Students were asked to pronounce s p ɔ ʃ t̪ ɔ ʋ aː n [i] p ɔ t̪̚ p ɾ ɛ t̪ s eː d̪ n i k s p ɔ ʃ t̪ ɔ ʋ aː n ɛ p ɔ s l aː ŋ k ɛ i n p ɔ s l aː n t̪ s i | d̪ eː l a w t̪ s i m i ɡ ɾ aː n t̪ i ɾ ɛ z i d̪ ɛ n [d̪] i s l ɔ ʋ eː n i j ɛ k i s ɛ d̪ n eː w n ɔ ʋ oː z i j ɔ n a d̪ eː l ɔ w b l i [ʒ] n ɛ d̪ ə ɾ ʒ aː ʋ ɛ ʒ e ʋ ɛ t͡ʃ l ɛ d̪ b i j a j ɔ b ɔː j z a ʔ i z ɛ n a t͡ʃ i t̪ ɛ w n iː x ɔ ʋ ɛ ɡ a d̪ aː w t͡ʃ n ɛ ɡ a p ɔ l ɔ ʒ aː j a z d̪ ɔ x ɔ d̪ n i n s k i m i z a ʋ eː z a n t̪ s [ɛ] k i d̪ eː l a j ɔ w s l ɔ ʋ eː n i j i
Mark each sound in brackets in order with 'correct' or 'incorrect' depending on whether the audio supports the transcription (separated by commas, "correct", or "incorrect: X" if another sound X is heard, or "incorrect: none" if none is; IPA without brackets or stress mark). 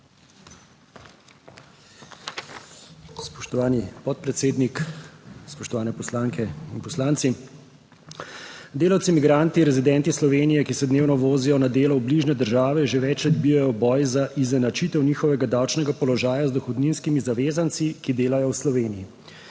correct, incorrect: t̪, correct, incorrect: i